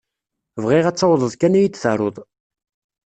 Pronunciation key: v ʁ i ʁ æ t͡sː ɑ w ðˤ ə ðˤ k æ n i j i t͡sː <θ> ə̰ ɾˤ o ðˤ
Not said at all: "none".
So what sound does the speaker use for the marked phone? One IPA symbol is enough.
θ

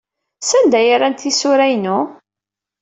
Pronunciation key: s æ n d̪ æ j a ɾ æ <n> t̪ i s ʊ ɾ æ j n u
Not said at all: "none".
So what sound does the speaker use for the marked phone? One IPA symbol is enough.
n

